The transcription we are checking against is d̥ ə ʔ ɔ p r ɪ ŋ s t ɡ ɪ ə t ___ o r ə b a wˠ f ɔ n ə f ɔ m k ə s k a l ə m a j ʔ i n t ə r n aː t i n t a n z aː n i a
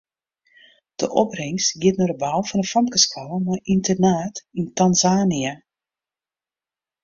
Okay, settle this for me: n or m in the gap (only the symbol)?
n